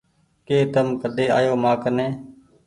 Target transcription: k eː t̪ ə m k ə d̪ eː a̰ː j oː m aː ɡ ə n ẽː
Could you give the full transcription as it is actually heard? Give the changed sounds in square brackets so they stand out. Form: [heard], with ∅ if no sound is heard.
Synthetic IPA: k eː t̪ ə m k ə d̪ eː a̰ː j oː m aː [k] ə n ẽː